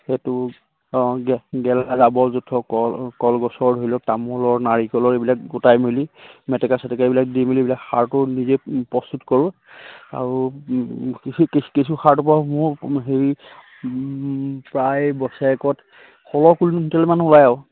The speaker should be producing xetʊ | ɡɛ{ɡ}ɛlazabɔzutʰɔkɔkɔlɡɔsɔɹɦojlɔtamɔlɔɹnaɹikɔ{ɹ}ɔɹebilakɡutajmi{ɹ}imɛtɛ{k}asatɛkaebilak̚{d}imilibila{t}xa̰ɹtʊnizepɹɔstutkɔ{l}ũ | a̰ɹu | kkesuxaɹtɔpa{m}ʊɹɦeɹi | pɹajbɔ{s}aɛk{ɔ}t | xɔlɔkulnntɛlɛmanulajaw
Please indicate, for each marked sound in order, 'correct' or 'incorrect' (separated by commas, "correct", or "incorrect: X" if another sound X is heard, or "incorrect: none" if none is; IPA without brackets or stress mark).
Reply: correct, incorrect: l, incorrect: l, correct, correct, incorrect: k, incorrect: ɹ, correct, correct, correct